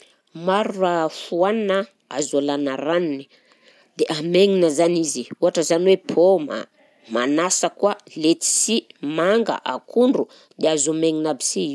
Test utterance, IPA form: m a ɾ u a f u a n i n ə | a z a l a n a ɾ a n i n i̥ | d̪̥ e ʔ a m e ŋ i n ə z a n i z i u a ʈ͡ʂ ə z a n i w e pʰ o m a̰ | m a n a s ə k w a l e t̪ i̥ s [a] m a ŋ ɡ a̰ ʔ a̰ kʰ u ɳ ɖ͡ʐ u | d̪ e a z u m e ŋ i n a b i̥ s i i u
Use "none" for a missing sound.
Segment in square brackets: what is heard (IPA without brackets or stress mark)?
i